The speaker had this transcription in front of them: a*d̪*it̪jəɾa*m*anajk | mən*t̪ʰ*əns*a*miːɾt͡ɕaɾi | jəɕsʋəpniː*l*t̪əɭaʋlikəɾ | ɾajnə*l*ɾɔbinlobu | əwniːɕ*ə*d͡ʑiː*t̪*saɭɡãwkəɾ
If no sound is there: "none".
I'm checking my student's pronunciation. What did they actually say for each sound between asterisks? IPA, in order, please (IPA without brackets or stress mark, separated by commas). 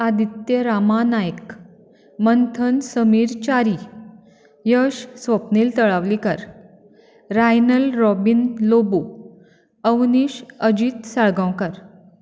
d̪, m, t̪ʰ, ə, l, l, ə, t̪